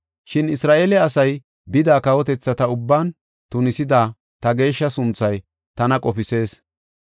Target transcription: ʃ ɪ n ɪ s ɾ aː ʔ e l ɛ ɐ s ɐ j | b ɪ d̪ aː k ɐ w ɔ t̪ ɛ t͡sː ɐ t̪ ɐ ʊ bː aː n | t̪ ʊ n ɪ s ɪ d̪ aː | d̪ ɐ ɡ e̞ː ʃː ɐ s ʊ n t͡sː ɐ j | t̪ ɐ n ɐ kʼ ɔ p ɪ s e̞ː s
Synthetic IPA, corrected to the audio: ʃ ɪ n ɪ s ɾ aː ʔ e l ɛ ɐ s ɐ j | b ɪ d̪ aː k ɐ w ɔ t̪ ɛ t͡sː ɐ t̪ ɐ ʊ bː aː n | t̪ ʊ n ɪ s ɪ d̪ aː | t̪ ɐ ɡ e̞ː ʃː ɐ s ʊ n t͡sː ɐ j | t̪ ɐ n ɐ kʼ ɔ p ɪ s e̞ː s